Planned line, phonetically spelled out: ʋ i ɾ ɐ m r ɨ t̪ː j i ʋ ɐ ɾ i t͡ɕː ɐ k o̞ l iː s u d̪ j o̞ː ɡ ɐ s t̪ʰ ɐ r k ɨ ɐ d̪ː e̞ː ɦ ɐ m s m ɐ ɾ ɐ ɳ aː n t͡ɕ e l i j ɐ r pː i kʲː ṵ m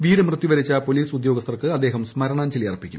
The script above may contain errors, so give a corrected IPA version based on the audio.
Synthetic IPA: ʋ iː ɾ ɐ m r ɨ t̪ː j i ʋ ɐ ɾ i t͡ɕː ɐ p o̞ l iː s u d̪ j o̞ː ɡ ɐ s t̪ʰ ɐ r k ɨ ɐ d̪ː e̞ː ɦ ɐ m s m ɐ ɾ ɐ ɳ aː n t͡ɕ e l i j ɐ r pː i kʲː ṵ m